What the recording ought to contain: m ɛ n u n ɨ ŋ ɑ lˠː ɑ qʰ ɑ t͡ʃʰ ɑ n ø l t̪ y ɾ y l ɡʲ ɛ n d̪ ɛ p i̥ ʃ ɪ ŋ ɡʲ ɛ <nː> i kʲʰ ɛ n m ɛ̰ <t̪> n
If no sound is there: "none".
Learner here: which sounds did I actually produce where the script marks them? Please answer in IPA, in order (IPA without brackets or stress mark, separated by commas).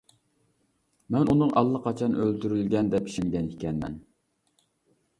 n, none